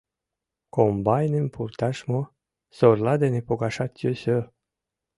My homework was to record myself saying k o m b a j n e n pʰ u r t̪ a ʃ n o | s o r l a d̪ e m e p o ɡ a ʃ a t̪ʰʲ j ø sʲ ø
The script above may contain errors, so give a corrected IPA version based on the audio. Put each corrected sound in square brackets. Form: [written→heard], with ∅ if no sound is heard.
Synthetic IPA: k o m b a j n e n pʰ u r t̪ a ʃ [n→m] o | s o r l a d̪ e [m→n] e p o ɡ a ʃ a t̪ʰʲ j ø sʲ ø